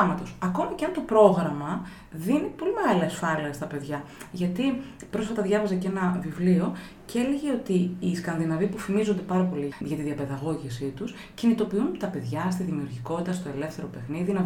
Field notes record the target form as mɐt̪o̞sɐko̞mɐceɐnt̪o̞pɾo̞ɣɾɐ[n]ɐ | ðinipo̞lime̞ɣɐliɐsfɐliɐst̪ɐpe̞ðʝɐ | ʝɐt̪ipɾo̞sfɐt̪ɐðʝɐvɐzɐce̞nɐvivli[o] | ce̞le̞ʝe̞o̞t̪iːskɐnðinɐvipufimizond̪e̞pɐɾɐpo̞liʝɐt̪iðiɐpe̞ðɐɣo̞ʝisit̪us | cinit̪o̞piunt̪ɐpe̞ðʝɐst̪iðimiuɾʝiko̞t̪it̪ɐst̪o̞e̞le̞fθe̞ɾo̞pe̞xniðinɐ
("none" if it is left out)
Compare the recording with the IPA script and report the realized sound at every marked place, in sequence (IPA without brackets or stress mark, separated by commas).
m, o